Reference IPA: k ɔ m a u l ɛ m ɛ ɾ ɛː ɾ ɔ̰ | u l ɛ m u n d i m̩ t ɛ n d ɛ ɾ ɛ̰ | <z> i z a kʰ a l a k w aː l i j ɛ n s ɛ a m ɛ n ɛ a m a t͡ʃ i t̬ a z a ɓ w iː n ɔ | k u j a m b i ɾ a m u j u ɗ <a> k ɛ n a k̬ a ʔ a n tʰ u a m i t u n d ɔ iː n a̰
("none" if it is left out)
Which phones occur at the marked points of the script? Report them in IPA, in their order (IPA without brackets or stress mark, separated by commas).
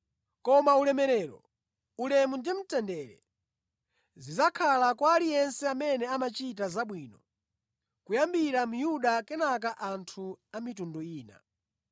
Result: z, a